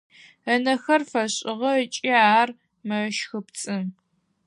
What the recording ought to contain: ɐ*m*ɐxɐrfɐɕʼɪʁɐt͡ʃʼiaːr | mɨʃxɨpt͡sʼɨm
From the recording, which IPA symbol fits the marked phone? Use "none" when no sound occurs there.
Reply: n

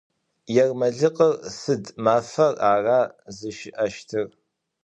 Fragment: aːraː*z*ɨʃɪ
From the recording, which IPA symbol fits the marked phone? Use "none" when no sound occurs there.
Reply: z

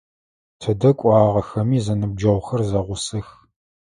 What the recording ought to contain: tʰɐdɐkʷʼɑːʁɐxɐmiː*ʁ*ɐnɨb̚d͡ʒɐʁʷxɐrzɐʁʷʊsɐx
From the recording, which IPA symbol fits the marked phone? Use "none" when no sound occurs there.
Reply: z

